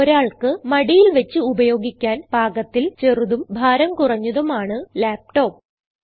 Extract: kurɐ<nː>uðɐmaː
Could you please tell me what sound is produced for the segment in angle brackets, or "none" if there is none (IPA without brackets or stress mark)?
ɲː